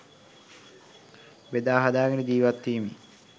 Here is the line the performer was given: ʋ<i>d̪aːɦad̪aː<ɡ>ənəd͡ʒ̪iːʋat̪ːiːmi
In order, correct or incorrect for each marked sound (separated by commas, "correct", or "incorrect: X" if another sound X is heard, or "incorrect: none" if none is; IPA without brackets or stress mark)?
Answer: incorrect: e, correct